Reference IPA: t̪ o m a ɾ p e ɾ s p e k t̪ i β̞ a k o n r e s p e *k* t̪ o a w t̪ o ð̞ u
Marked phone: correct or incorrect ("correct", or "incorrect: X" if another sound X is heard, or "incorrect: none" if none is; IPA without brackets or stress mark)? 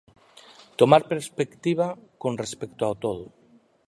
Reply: correct